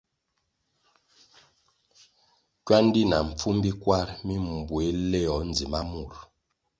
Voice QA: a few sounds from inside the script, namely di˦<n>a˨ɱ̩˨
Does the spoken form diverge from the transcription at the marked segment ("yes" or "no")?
no